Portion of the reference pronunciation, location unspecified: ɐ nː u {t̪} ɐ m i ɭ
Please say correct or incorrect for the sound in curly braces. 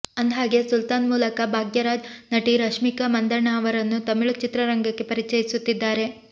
correct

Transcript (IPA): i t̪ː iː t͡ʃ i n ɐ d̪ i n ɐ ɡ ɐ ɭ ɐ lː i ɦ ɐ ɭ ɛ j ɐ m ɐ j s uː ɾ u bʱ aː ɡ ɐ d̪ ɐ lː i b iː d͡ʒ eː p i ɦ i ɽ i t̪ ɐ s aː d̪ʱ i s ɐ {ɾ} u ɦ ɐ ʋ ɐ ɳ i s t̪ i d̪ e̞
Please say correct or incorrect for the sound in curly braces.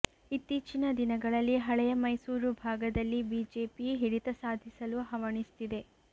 incorrect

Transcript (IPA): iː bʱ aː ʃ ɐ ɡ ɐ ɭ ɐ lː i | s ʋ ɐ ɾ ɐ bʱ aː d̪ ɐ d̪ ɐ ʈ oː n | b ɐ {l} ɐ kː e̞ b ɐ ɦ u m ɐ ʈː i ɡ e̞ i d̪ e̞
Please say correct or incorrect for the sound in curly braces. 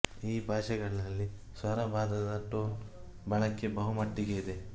incorrect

